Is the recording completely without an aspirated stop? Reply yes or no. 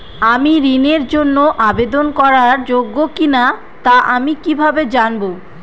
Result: yes